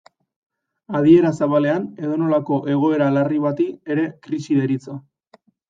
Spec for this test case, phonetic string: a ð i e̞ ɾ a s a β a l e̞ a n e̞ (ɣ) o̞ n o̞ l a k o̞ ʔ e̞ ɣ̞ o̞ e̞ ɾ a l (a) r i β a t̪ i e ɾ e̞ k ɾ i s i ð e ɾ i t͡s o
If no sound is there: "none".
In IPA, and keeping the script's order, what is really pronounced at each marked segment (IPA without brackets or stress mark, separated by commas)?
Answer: ð, a